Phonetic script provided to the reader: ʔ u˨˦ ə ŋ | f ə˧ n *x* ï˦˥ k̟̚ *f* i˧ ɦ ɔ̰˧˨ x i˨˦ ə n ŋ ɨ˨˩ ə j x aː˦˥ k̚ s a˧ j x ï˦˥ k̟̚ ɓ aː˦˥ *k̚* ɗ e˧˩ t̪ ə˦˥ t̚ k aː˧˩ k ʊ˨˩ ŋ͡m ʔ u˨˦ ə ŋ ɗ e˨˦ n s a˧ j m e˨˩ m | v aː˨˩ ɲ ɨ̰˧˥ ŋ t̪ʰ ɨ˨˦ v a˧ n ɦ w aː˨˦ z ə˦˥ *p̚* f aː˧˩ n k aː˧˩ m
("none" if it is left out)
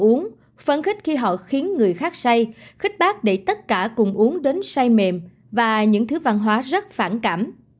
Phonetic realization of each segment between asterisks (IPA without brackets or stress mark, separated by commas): x, x, k̚, t̚